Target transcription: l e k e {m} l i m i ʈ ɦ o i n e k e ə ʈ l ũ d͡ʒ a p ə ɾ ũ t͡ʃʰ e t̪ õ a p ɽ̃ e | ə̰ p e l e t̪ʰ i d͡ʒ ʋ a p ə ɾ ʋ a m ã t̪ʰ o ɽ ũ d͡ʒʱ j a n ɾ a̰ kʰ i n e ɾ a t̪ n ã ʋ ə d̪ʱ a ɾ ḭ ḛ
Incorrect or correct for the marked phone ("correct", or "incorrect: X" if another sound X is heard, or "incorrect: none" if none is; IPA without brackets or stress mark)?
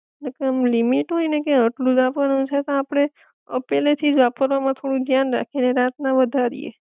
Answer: correct